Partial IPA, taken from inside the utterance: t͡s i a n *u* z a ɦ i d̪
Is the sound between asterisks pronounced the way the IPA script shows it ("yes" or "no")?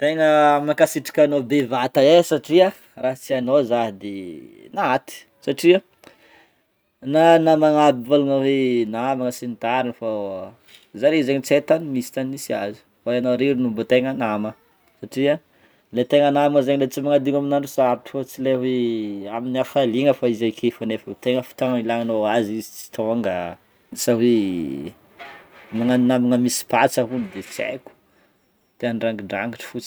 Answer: no